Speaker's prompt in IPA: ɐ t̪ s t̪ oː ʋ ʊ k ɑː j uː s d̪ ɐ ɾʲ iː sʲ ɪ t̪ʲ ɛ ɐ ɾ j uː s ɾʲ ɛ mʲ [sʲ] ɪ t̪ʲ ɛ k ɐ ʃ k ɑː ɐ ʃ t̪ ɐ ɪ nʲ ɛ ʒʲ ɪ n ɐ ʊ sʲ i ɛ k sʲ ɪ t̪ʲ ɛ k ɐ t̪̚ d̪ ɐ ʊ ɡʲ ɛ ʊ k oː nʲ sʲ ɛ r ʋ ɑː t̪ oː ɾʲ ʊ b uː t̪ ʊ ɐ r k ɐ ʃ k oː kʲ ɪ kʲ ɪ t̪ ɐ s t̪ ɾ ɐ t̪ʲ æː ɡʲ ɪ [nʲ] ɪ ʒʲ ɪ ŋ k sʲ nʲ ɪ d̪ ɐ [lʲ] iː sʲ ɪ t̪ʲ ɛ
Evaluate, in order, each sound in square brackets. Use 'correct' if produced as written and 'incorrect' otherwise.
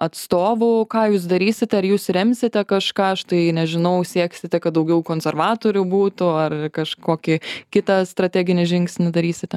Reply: correct, correct, incorrect

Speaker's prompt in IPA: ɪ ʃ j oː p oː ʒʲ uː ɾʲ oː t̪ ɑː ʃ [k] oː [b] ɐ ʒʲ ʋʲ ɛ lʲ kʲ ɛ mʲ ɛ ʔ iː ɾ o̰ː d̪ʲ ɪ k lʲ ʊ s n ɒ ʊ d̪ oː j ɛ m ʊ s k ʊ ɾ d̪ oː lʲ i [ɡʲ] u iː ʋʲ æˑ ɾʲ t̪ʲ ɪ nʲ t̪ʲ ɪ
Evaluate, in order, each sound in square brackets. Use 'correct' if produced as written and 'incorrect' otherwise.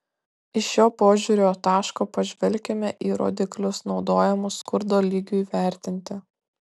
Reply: correct, incorrect, correct

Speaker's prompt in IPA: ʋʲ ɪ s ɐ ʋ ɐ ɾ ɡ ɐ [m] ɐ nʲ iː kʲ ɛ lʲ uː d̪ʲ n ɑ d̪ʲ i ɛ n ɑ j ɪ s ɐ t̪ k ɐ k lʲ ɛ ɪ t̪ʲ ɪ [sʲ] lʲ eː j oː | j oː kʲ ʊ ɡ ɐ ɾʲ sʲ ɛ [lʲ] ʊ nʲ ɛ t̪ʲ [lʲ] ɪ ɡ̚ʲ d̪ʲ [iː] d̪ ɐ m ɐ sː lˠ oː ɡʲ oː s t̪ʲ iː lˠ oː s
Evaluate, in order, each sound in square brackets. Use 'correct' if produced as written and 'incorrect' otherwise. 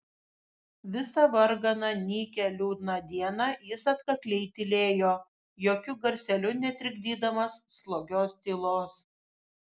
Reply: incorrect, incorrect, correct, incorrect, correct

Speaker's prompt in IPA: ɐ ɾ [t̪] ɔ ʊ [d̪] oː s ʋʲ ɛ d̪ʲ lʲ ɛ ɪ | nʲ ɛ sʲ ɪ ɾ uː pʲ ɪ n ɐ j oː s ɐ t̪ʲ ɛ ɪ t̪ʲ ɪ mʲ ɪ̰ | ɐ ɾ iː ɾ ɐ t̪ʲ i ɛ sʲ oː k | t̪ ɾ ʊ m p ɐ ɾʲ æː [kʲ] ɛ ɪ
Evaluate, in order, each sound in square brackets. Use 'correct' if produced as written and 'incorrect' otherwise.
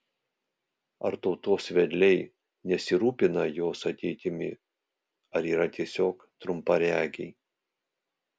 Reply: correct, incorrect, incorrect

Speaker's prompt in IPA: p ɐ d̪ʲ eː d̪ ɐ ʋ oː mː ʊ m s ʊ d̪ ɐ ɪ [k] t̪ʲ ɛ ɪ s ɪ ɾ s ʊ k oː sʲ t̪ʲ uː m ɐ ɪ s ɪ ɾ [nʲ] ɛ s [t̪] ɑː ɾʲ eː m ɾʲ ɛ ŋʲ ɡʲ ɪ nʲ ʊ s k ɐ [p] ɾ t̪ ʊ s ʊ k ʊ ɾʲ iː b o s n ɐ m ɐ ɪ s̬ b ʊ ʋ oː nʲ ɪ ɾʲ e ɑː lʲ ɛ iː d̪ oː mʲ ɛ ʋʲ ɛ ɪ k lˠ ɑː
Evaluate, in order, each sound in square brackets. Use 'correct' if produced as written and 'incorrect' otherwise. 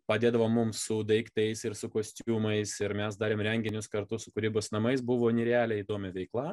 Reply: correct, incorrect, incorrect, incorrect

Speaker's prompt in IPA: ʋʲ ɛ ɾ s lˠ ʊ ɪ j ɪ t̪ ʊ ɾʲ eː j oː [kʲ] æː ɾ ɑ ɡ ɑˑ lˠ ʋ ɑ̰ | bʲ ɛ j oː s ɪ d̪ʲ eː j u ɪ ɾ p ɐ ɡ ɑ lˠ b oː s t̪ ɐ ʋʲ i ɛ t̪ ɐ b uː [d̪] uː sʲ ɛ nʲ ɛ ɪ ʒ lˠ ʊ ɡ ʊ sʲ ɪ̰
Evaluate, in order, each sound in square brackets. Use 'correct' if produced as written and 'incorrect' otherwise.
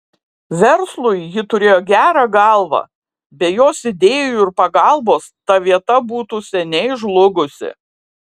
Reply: incorrect, incorrect

